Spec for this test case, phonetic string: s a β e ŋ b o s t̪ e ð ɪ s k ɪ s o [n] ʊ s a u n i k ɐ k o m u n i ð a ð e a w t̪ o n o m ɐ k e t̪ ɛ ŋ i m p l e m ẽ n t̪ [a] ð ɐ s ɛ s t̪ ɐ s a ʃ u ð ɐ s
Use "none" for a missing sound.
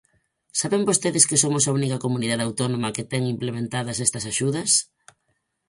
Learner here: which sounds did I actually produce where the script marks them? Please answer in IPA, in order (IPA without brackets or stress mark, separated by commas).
m, a